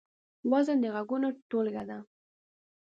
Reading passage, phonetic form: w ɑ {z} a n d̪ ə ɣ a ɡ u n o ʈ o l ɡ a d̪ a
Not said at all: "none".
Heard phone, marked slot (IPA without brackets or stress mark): z